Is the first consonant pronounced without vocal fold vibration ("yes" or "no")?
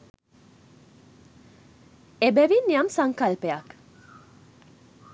no